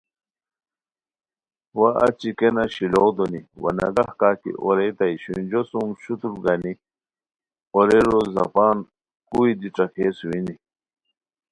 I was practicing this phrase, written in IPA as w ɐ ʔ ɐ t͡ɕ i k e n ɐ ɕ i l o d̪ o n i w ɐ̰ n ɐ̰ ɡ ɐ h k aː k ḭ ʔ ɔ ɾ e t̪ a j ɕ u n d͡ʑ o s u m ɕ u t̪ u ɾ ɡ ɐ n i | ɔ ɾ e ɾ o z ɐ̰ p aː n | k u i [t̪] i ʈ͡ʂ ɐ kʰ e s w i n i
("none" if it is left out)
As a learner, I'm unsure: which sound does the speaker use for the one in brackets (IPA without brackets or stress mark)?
d̪